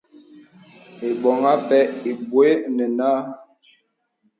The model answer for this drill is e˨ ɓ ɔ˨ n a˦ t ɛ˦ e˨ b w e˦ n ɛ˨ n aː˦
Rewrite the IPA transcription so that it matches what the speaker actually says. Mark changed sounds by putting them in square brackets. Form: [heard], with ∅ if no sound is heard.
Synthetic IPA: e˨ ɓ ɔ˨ [ŋ] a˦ [p] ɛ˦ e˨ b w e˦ n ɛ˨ n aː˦